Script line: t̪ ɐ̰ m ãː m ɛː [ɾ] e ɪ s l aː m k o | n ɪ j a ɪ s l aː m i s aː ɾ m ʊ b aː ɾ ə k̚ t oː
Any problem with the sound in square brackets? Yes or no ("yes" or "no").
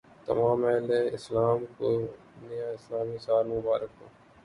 yes